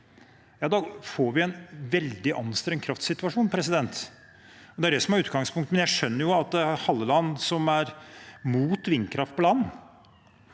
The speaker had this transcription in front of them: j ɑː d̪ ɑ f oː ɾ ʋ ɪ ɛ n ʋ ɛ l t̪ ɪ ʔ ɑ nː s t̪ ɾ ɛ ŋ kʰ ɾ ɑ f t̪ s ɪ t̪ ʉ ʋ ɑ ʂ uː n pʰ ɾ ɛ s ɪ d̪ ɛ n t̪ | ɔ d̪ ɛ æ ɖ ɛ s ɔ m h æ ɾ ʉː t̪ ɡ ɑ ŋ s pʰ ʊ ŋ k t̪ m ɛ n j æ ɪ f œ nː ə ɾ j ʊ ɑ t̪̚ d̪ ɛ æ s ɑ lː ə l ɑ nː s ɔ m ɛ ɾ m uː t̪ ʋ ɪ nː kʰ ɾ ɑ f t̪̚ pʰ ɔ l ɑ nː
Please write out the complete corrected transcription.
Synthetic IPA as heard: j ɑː d̪ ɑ f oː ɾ ʋ ɪ ɛ n ʋ ɛ l d̪ ɪ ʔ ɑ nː s t̪ ɾ ɛ ŋ kʰ ɾ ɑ f t̪ s ɪ t̪ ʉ ʋ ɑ ʂ uː n pʰ ɾ ɛ s ɪ d̪ ɛ n t̪ | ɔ d̪ ɛ æ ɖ ɛ s ɔ m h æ ɾ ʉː t̪ ɡ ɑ ŋ s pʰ ʊ ŋ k t̪ m ɛ n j æ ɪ ʂ œ nː ə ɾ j ʊ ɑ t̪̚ d̪ ɛ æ h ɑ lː ə l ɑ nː s ɔ m æ ɾ m uː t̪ ʋ ɪ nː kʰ ɾ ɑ f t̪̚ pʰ ɔ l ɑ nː